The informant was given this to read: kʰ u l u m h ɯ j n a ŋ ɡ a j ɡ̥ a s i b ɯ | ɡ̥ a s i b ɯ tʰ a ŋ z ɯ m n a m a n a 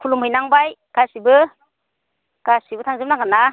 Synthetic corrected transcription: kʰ u l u m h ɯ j n a ŋ b a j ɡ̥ a s i b ɯ | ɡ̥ a s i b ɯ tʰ a ŋ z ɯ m n a ŋ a n a